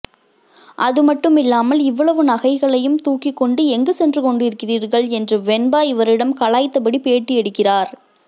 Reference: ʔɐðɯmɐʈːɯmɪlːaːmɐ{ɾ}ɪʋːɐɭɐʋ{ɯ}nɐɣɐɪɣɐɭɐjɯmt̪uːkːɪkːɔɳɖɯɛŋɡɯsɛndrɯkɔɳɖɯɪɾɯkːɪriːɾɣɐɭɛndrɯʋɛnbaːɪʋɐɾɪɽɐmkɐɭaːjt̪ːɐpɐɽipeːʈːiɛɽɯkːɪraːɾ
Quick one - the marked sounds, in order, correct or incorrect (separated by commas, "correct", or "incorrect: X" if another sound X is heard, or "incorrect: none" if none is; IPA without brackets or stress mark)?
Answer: incorrect: l, correct